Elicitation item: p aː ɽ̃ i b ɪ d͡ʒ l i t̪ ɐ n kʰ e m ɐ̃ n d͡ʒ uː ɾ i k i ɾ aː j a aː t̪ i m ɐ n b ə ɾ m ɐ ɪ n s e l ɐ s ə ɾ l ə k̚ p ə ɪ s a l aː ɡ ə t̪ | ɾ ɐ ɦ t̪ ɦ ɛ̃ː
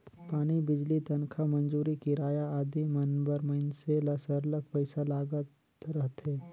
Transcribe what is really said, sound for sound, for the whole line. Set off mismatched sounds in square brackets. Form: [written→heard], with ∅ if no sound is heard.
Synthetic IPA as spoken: p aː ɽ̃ i b ɪ d͡ʒ l i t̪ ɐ n kʰ [e→a] m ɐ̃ n d͡ʒ uː ɾ i k i ɾ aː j a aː [t̪→d̪] i m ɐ n b ə ɾ m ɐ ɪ n s e l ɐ s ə ɾ l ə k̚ p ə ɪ s a l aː ɡ ə t̪ | ɾ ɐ ɦ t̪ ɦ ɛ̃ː